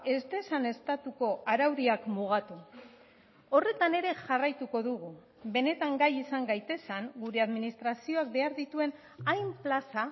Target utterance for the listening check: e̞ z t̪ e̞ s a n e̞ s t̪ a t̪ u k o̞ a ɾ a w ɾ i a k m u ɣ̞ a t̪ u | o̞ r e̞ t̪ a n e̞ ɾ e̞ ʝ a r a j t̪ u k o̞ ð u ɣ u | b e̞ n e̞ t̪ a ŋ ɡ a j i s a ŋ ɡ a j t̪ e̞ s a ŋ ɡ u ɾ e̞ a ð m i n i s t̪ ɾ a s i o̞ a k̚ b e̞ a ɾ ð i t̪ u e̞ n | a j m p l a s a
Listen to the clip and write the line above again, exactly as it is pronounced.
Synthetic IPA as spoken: e̞ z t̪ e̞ s a n e̞ s t̪ a t̪ u k o̞ a ɾ a w ɾ i a k m u ɣ̞ a t̪ u | o̞ r e̞ t̪ a n e̞ ɾ e̞ ʝ a r a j t̪ u k o̞ ð u ɣ u | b e̞ n e̞ t̪ a ŋ ɡ a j i s a ŋ ɡ a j t̪ e̞ s a ŋ ɡ u ɾ e̞ a ð m i n i s t̪ ɾ a s i o̞ a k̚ b e̞ a ɾ ð i t̪ u e̞ n | a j m p l a s a